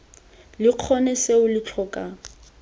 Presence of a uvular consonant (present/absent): present